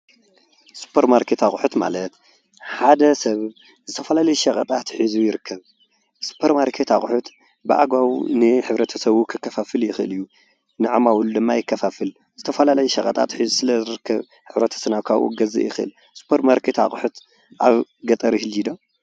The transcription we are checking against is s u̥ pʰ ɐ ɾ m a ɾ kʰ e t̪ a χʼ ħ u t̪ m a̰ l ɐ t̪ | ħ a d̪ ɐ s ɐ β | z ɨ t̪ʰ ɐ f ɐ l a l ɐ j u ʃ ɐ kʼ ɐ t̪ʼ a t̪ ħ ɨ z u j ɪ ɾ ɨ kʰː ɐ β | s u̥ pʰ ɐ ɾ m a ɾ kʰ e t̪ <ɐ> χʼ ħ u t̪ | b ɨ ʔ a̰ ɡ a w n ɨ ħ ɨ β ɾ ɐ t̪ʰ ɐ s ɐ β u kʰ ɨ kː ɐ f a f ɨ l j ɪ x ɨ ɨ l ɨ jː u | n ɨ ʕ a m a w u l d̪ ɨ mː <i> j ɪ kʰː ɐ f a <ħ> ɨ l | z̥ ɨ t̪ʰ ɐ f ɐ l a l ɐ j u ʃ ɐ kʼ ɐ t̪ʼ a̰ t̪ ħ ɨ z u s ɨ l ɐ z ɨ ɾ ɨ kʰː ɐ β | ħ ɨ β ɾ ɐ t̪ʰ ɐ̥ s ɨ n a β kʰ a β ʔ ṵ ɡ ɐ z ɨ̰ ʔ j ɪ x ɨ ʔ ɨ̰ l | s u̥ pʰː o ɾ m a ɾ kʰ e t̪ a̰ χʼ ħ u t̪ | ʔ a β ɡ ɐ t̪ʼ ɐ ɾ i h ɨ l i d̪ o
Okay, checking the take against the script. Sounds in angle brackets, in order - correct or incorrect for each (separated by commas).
incorrect, incorrect, incorrect